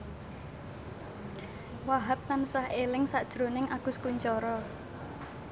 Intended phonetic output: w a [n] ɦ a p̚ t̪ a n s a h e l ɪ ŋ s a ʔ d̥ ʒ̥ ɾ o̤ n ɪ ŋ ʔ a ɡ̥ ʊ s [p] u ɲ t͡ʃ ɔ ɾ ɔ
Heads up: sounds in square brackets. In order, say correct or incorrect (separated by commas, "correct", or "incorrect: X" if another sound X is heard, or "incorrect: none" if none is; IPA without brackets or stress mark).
incorrect: none, incorrect: k